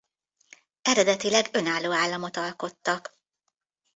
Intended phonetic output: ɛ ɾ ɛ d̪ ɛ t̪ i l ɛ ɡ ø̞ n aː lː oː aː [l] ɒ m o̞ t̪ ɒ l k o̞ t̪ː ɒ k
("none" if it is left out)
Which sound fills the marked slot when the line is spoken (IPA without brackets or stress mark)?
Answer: lː